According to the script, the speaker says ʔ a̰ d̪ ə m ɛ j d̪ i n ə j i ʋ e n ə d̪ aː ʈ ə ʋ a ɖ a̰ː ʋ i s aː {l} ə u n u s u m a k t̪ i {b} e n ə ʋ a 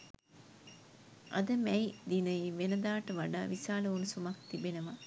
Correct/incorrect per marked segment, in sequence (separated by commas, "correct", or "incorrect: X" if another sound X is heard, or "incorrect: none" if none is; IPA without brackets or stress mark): correct, correct